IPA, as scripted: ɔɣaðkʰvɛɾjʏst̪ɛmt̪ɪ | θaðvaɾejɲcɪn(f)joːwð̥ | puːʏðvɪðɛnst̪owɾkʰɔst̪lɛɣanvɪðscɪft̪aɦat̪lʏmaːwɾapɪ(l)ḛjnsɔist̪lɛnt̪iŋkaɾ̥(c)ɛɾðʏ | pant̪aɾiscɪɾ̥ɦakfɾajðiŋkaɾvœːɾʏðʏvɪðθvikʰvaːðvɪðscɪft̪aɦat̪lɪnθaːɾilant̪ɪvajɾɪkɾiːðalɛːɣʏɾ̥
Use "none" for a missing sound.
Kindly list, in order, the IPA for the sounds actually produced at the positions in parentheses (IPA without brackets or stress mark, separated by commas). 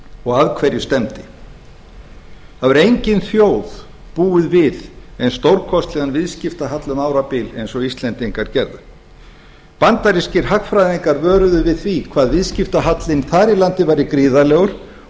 θ, l, c